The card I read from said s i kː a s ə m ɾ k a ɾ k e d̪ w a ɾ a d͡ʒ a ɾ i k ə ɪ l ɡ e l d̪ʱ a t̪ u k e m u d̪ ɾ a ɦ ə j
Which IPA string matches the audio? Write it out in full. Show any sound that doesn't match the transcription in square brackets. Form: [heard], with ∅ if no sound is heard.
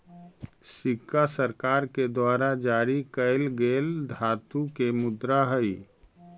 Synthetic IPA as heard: s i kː a s ə [∅] ɾ k a ɾ k e d̪ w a ɾ a d͡ʒ a ɾ i k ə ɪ l ɡ e l d̪ʱ a t̪ u k e m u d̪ ɾ a ɦ ə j